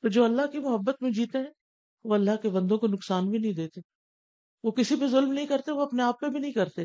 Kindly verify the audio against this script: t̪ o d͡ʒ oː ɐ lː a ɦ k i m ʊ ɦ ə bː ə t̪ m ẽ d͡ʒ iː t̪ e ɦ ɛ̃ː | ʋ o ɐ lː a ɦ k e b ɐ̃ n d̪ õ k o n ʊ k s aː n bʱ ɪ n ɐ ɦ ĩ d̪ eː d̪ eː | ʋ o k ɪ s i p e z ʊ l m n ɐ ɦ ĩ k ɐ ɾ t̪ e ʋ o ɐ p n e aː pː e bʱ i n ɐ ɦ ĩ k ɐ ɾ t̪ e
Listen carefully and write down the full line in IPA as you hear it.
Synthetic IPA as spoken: t̪ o d͡ʒ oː ɐ lː a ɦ k i m ʊ ɦ ə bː ə t̪ m ẽ d͡ʒ iː t̪ e ɦ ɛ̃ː | ʋ o ɐ lː a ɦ k e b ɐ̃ n d̪ õ k o n ʊ k s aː n bʱ i n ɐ ɦ ĩ d̪ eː t̪ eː | ʋ o k ɪ s i p e z ʊ l m n ɐ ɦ ĩ k ɐ ɾ t̪ e ʋ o ɐ p n e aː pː e bʱ i n ɐ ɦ ĩ k ɐ ɾ t̪ e